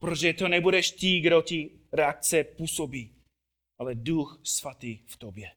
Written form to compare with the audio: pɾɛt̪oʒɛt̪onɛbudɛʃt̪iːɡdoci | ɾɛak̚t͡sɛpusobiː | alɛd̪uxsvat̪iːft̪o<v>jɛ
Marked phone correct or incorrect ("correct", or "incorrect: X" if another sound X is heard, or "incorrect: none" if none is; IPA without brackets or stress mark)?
incorrect: b